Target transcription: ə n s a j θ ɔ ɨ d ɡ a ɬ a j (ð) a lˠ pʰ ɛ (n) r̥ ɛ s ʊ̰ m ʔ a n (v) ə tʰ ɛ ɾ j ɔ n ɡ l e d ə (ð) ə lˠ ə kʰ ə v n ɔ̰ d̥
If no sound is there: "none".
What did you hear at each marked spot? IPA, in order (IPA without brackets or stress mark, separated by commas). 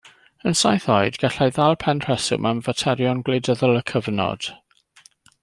ð, n, v, ð